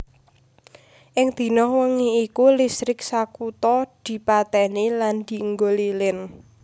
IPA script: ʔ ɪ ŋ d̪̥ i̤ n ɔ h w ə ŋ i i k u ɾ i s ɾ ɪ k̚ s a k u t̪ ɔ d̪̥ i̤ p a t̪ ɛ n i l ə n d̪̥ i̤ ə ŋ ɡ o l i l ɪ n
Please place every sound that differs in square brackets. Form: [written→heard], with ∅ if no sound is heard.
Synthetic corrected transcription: ʔ ɪ ŋ d̪̥ i̤ n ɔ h w ə ŋ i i k u [ɾ→l] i s ɾ ɪ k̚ s a k u t̪ ɔ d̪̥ i̤ p a t̪ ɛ n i l [ə→a] n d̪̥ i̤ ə ŋ ɡ o l i l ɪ n